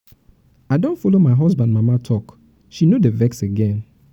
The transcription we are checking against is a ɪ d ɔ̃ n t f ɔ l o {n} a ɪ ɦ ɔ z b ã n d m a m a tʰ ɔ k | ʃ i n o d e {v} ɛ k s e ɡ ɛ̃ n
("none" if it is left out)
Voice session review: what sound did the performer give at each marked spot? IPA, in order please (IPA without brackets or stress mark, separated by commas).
m, v